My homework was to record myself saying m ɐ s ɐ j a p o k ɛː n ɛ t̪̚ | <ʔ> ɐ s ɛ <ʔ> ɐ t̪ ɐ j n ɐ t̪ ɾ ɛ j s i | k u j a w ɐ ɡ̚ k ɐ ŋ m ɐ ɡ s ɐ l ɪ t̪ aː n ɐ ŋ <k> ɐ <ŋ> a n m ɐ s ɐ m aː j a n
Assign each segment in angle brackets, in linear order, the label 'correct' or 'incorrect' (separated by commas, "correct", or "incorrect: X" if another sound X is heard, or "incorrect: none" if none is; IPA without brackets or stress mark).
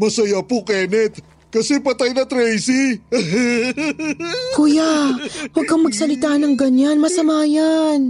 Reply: incorrect: k, incorrect: p, incorrect: ɡ, incorrect: ɲ